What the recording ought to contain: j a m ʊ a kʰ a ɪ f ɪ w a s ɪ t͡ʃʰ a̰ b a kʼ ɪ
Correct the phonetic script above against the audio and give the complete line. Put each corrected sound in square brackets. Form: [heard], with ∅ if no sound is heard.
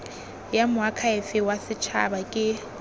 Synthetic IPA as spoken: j a m ʊ a kʰ a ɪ f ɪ w a s ɪ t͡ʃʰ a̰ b a kʼ ɪ